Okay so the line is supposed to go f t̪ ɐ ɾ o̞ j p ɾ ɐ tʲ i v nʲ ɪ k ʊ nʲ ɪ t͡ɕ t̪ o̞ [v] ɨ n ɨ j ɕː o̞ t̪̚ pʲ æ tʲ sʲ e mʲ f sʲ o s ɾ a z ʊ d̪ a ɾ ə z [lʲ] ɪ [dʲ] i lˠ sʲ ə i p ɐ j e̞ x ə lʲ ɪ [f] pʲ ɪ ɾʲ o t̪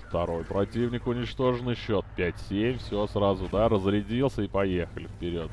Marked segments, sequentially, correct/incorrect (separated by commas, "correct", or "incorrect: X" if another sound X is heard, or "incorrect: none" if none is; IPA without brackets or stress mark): incorrect: ʐ, incorrect: ɾʲ, correct, correct